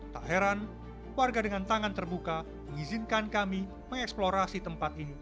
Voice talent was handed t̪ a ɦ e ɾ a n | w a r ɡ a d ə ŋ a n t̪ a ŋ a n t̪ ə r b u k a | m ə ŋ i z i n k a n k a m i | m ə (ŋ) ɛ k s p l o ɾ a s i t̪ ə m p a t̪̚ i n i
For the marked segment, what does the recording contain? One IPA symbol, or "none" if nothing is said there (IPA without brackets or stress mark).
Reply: ŋ